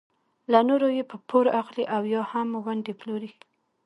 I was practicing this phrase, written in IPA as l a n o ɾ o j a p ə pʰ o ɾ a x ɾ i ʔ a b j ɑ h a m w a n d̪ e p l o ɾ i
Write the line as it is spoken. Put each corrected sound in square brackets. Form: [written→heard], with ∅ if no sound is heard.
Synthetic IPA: l a n o ɾ o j [a→e] p ə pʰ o ɾ a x [ɾ→l] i ʔ a [b→w] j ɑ h a m w a n d̪ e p l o ɾ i